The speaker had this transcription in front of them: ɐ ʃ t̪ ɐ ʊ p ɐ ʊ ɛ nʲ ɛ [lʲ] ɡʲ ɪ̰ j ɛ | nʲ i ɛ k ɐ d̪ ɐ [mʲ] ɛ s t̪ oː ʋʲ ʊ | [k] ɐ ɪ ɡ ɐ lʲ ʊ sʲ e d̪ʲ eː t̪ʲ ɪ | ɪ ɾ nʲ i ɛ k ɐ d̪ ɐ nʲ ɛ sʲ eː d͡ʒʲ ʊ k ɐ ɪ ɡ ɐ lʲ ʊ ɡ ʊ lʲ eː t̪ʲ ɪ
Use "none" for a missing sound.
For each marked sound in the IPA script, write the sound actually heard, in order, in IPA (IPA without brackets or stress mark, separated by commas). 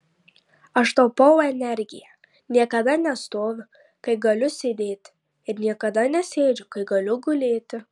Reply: ɾʲ, nʲ, k